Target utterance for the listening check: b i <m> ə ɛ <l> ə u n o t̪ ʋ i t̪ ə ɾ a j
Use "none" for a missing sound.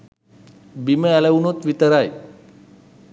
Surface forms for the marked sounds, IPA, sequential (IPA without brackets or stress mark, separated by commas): m, l